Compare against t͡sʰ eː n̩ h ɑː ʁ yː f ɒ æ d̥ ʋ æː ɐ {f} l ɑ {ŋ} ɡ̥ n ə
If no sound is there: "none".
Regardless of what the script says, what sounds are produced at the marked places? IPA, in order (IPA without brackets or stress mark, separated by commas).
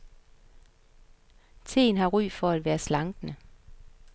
s, ŋ